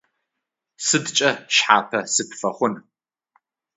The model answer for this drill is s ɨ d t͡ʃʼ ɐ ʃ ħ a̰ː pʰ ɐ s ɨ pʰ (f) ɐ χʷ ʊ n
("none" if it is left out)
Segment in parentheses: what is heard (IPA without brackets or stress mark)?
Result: f